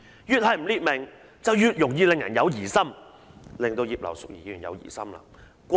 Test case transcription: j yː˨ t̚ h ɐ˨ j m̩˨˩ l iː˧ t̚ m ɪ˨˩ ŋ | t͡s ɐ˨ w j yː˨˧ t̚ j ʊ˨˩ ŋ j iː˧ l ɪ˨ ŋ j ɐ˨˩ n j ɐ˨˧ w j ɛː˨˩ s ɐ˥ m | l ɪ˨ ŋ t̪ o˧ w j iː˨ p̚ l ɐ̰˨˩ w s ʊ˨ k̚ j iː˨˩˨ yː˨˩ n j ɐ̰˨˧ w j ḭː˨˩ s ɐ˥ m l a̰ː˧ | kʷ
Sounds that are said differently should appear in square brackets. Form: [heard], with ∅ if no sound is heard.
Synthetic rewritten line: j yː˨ t̚ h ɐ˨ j m̩˨˩ l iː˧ t̚ m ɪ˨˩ ŋ | t͡s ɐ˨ w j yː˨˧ t̚ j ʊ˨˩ ŋ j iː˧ l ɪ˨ ŋ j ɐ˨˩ n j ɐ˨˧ w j [iː˨˩] s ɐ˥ m | l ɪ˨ ŋ t̪ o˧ w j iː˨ p̚ l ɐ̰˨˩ w s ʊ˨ k̚ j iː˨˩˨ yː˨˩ n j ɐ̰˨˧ w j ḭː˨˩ s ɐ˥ m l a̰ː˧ | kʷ

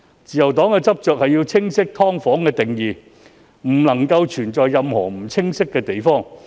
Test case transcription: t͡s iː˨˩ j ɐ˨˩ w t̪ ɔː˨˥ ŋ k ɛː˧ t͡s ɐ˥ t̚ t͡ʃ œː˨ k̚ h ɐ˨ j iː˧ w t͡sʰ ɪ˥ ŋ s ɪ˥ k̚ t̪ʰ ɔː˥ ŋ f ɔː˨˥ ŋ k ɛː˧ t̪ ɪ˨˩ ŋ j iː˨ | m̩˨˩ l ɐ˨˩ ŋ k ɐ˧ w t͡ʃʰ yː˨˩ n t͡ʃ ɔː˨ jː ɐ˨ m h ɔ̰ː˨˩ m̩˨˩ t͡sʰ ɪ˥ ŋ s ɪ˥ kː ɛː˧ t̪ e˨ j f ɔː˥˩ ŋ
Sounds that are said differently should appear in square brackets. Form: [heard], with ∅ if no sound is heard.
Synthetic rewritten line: t͡s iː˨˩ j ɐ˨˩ w t̪ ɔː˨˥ ŋ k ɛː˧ t͡s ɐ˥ [p̚] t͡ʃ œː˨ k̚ h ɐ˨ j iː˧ w t͡sʰ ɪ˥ ŋ s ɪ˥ k̚ t̪ʰ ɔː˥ ŋ f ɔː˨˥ ŋ k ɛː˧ t̪ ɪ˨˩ ŋ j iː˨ | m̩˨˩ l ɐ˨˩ ŋ k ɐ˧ w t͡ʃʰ yː˨˩ n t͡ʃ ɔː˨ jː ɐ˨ m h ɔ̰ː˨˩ m̩˨˩ t͡sʰ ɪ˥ ŋ s ɪ˥ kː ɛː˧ t̪ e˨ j f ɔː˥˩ ŋ

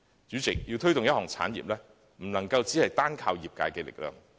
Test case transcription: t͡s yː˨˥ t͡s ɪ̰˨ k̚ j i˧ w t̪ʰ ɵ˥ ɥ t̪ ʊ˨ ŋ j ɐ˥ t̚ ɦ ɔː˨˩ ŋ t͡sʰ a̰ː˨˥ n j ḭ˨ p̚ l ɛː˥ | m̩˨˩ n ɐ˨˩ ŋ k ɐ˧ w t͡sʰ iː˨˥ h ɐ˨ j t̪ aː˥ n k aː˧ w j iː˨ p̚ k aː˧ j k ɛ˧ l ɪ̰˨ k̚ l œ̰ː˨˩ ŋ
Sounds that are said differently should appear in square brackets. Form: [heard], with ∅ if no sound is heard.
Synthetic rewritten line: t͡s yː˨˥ t͡s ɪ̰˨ k̚ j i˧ w t̪ʰ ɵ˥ ɥ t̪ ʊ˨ ŋ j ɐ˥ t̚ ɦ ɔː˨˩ ŋ t͡sʰ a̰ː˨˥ n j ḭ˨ p̚ l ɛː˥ | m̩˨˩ n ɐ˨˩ ŋ k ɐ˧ w [t͡s] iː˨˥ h ɐ˨ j t̪ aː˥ n [kʰ] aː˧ w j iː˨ p̚ k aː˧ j k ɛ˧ l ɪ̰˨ k̚ l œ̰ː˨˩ ŋ

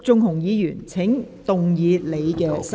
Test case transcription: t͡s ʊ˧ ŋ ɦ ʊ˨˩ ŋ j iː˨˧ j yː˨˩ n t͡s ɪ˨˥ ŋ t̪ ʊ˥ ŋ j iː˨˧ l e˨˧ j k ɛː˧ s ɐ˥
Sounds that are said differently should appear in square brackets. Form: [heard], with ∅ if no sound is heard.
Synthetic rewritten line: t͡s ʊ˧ ŋ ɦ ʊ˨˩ ŋ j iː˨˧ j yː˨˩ n [t͡sʰ] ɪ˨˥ ŋ t̪ [ʊ˨] ŋ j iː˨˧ l e˨˧ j k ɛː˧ s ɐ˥

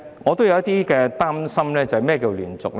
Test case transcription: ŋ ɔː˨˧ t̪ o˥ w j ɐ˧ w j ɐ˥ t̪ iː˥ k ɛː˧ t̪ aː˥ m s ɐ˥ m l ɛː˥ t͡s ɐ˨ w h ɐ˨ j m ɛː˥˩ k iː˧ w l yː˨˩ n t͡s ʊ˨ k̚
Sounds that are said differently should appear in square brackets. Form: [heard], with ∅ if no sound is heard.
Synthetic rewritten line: ŋ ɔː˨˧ t̪ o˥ w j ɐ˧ w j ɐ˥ t̪ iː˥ k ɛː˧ t̪ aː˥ m s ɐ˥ m l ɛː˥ t͡s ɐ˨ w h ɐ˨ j m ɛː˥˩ k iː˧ w l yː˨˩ n t͡s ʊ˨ k̚

